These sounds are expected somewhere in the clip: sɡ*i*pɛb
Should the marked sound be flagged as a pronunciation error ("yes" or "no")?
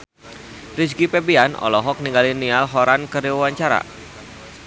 no